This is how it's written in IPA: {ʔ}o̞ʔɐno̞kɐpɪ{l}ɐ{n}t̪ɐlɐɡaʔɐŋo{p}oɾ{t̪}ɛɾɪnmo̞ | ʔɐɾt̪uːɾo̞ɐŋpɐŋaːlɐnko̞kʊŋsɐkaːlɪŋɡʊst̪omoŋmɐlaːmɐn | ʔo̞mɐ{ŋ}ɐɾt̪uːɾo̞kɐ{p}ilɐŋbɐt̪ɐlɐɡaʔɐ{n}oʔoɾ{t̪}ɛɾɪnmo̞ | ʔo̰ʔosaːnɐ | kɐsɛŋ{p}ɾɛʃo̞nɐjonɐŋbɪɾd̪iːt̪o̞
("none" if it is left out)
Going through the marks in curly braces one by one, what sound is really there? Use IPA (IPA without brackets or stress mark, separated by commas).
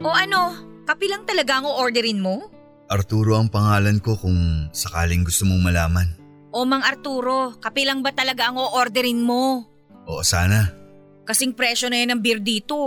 ʔ, l, ŋ, ʔ, d̪, ŋ, p, ŋ, d̪, p